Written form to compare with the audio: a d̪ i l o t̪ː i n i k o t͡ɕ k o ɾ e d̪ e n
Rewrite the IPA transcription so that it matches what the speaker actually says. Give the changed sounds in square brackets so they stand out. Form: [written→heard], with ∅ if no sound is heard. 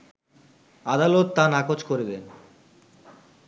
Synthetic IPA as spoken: a d̪ [i→a] l o t̪ː [i→a] n [i→a] k o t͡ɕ k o ɾ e d̪ e n